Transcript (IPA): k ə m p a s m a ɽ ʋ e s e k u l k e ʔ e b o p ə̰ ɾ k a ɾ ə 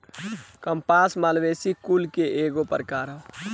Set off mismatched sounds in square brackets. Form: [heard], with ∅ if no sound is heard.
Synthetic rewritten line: k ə m p a s m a [l] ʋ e s [i] k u l k e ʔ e [ɡ] o p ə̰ ɾ k a ɾ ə